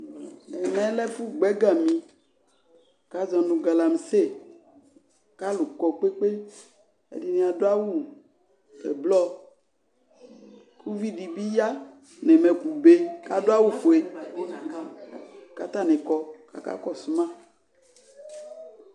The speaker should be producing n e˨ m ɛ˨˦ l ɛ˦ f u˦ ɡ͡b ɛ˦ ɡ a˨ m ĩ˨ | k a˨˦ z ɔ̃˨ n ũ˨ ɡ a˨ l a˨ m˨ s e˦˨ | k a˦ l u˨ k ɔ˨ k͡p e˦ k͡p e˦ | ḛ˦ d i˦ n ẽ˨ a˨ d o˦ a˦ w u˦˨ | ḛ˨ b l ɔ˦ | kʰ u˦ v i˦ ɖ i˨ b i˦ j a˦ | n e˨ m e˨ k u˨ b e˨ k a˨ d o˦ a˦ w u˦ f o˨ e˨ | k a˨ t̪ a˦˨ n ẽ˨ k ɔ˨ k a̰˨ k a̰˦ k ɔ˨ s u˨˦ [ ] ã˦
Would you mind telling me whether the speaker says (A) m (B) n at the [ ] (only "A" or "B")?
A